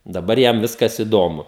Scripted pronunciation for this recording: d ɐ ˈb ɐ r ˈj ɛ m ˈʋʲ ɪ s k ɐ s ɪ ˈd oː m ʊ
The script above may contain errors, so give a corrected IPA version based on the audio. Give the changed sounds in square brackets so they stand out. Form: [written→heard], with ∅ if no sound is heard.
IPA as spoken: d ɐ ˈb ɐ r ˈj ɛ m ˈʋʲ ɪ s k ɐ s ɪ ˈd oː m ʊ